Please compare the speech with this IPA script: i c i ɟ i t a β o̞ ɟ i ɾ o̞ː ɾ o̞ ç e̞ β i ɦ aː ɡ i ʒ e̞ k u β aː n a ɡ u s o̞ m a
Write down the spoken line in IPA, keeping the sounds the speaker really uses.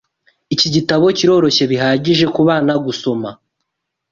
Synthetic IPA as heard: i c i ɟ i t a β o̞ c i ɾ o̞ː ɾ o̞ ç e̞ β i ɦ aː ɟ i ʒ e̞ k u β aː n a ɡ u s o̞ m a